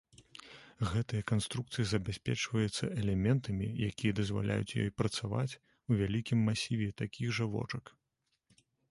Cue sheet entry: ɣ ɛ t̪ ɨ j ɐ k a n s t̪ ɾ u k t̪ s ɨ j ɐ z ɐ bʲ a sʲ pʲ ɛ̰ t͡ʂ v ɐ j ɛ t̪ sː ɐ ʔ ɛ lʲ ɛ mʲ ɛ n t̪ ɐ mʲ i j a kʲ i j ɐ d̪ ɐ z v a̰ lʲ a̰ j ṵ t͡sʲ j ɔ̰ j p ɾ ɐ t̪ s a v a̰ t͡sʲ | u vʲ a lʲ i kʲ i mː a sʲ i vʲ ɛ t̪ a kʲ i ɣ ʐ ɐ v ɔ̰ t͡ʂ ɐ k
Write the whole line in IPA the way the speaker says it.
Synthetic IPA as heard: ɣ ɛ t̪ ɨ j ɐ k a n s t̪ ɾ u k t̪ s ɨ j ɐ z ɐ bʲ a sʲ pʲ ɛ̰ t͡ʂ v ɐ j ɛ t̪ sː ɐ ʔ ɛ lʲ ɛ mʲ ɛ n t̪ ɐ mʲ i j a kʲ i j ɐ d̪ ɐ z v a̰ lʲ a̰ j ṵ t͡sʲ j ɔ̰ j p ɾ ɐ t̪ s a v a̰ t͡sʲ | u vʲ a lʲ i kʲ i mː a sʲ i vʲ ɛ t̪ a kʲ i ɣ ʐ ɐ v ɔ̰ t͡ʂ ɐ k